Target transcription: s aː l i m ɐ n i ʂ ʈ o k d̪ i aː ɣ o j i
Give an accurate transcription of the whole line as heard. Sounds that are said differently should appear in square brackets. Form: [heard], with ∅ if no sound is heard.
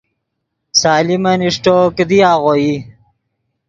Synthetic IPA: s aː l i m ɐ n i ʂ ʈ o k d̪ i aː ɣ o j i